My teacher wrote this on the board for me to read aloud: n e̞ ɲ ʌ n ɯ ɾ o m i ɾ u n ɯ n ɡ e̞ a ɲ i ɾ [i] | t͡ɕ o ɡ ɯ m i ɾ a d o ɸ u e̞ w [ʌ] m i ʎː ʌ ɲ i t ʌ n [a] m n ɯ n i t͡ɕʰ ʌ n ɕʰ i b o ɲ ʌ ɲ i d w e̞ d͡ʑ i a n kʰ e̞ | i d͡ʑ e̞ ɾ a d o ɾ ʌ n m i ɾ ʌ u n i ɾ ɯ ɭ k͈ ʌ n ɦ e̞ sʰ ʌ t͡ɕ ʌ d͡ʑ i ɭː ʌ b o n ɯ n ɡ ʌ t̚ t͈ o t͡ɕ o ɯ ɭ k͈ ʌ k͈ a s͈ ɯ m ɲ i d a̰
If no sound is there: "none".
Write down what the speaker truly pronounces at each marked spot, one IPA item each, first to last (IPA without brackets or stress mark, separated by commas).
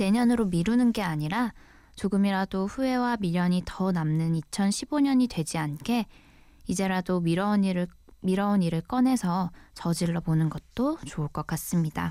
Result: a, a, a